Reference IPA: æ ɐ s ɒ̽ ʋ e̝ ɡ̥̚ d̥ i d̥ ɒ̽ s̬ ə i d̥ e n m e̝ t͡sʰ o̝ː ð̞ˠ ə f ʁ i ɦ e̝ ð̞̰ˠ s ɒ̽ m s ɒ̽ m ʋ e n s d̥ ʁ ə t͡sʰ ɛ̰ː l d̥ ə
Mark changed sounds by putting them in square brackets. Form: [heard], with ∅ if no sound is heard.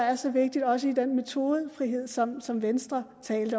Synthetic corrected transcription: æ ɐ s ɒ̽ ʋ e̝ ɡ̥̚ d̥ i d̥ ɒ̽ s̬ ə i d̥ e n m e̝ t͡sʰ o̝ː ð̞ˠ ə f ʁ i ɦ e̝ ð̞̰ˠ s ɒ̽ m s ɒ̽ m ʋ e n s d̥ ʁ [ɐ] t͡sʰ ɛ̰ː l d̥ ə